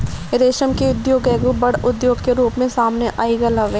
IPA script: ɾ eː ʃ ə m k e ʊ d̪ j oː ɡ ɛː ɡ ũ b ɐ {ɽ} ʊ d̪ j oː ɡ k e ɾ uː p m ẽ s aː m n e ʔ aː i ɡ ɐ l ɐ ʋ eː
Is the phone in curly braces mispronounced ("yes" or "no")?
no